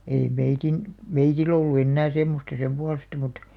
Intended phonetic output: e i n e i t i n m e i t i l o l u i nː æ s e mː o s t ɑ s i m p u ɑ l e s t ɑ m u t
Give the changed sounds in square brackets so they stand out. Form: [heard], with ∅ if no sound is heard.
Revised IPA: e i [m] e i t i n m e i t i l o [lː] u [e] nː [æː] s e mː o s t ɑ s [e] m p u ɑ l e s t ɑ m u t